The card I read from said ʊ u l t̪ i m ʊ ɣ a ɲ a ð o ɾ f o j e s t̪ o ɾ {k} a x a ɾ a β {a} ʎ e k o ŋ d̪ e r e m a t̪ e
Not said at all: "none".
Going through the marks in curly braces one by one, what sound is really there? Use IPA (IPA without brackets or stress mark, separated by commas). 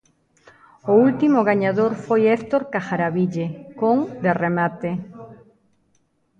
k, i